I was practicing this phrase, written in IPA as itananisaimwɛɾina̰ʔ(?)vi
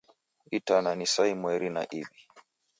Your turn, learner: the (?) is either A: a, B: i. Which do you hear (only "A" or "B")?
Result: B